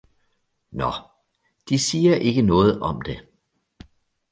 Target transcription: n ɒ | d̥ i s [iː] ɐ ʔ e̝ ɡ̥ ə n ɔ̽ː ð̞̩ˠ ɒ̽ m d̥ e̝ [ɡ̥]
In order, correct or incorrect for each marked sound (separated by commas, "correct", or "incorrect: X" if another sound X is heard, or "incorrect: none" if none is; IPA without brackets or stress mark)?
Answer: correct, incorrect: none